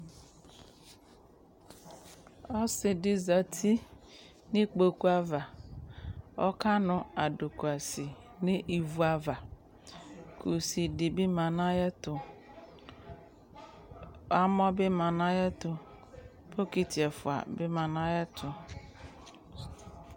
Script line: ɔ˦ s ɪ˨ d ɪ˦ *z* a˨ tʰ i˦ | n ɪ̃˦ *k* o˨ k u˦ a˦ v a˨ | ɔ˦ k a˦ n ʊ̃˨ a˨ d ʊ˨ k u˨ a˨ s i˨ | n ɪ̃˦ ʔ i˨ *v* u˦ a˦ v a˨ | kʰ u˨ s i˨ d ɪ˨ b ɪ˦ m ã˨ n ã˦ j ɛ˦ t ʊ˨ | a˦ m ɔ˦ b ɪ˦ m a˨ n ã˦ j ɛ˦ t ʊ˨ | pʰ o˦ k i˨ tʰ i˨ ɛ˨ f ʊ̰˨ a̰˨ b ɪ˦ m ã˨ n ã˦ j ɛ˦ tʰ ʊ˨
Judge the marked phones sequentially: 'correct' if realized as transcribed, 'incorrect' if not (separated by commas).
correct, incorrect, correct